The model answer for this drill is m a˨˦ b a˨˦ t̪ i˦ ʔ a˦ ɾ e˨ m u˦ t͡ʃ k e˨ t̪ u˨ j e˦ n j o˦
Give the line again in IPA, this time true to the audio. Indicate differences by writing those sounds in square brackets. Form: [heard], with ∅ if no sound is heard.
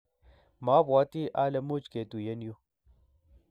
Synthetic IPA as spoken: m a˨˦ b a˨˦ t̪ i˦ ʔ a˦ [l] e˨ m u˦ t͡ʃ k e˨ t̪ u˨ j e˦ n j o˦

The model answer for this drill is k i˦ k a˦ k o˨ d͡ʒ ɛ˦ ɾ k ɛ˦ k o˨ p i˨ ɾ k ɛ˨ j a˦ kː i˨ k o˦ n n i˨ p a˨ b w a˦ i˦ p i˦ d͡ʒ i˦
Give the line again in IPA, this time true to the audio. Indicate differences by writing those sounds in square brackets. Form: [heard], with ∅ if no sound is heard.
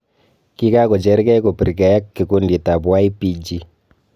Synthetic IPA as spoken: k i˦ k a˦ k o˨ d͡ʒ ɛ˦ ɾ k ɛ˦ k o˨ p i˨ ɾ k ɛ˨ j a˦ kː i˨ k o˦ n [d] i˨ [t] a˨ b w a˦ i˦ p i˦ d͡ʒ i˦

